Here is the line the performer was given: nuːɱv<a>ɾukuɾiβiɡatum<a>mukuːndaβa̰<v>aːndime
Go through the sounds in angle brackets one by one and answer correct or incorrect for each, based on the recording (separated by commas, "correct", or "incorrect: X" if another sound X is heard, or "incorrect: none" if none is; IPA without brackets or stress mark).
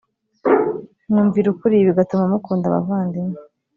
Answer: incorrect: i, correct, correct